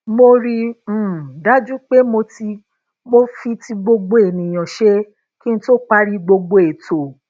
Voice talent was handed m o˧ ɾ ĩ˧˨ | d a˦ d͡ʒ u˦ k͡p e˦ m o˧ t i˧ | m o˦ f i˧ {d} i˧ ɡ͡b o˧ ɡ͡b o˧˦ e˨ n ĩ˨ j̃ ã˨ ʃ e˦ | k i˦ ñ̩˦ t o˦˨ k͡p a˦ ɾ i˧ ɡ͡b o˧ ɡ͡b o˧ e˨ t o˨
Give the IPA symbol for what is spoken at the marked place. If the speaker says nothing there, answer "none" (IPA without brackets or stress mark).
t